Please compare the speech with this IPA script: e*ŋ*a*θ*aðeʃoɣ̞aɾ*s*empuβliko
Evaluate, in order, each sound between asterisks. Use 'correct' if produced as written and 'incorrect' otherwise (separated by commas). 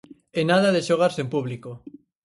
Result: incorrect, incorrect, correct